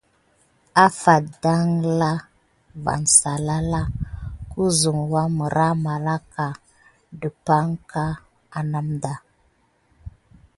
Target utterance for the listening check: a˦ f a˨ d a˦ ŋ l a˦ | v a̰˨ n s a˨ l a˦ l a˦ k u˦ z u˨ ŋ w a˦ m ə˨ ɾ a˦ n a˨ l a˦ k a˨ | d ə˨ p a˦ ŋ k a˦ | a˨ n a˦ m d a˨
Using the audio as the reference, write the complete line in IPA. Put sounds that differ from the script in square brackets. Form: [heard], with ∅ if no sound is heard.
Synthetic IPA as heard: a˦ f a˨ d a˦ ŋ l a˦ | v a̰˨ n s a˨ l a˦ l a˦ k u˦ z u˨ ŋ w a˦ m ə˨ ɾ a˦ [m] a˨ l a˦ k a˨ | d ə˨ p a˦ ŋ k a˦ | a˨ n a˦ m d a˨